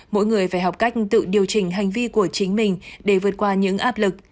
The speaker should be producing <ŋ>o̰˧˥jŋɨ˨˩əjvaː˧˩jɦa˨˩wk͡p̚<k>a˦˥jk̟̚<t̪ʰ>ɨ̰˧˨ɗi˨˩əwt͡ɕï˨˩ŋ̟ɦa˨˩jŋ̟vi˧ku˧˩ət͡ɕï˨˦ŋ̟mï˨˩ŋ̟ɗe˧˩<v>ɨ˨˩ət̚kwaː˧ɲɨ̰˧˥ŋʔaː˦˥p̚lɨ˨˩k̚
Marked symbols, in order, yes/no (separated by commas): no, yes, no, yes